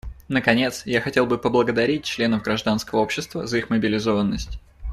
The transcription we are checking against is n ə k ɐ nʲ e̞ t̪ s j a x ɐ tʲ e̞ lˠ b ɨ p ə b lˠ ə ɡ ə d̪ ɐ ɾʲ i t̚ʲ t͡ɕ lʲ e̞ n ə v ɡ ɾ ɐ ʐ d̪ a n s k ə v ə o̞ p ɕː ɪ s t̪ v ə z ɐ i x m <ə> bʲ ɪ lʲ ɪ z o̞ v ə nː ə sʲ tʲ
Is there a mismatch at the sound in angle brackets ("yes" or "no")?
no